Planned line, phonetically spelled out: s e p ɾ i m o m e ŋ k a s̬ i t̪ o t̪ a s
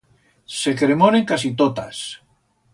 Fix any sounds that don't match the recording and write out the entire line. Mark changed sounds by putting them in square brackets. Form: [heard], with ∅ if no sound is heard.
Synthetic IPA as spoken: s e [k] ɾ [e] m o [n] e ŋ k a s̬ i t̪ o t̪ a s